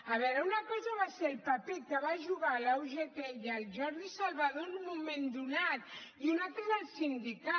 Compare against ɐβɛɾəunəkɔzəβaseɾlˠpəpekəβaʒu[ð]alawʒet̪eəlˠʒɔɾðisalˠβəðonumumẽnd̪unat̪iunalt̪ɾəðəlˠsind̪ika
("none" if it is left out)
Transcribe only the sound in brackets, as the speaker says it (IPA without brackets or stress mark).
ɣ